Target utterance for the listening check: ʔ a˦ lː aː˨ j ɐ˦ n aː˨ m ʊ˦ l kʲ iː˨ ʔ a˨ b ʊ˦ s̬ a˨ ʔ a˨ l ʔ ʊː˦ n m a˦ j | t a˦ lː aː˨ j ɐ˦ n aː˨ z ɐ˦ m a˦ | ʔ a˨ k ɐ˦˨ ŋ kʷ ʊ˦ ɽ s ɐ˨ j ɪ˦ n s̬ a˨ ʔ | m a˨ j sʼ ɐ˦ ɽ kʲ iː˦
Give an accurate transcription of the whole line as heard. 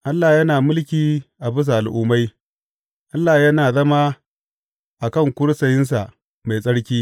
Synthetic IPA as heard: ʔ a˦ lː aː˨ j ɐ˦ n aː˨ m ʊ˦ l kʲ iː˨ ʔ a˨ b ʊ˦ s̬ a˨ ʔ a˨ l ʔ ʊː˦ m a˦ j | ʔ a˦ lː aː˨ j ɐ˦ n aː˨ z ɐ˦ m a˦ | ʔ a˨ k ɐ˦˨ ŋ kʷ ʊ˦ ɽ s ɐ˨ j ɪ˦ n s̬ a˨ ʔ | m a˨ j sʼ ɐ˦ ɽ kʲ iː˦